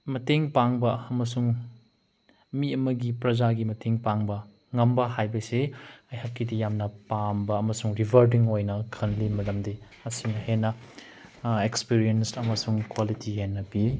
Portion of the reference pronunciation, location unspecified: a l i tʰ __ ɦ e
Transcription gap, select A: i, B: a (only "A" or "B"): A